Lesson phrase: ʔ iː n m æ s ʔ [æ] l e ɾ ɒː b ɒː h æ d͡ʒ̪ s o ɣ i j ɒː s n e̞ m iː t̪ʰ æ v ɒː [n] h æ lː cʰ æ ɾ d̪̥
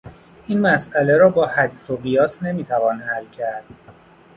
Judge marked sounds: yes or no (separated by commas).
yes, yes